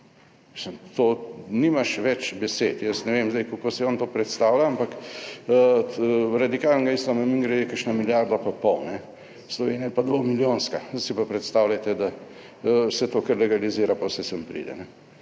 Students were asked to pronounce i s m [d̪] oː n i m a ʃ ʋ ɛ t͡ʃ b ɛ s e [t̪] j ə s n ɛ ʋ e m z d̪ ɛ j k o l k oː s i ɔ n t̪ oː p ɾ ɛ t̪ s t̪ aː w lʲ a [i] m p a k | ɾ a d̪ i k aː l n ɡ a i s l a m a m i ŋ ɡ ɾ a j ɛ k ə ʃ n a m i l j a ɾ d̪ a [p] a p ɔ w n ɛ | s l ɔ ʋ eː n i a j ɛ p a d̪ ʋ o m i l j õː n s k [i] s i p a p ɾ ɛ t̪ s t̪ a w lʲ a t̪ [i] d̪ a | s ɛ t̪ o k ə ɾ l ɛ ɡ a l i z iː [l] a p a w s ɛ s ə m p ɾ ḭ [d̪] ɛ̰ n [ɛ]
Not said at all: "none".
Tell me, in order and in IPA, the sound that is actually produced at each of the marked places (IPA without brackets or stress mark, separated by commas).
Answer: t̪, t̪, a, p, a, ɛ, ɾ, d̪, ɛ